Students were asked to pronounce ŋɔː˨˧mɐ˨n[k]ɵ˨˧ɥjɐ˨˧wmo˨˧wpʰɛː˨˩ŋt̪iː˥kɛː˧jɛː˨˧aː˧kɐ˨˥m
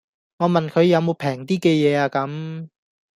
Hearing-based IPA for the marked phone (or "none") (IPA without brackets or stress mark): kʰ